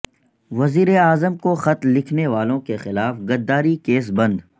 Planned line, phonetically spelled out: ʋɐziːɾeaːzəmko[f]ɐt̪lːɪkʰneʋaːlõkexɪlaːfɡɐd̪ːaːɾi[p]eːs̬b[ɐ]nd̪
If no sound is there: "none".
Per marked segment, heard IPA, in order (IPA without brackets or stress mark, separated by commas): x, k, ɐ̃